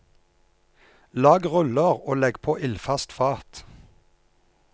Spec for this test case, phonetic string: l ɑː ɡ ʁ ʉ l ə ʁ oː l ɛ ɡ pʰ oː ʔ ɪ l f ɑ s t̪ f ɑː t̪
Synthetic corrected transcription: l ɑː ɡ ʁ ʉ l ə ʁ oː l ɛ ɡ pʰ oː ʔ ɪ l f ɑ s t̪ f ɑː t̪